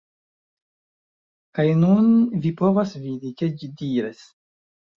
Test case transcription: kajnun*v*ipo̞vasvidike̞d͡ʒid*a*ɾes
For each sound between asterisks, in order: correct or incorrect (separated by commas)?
correct, incorrect